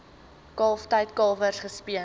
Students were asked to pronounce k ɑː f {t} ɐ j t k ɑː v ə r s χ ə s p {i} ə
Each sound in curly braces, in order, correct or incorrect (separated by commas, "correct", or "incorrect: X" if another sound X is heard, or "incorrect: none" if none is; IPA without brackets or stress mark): correct, correct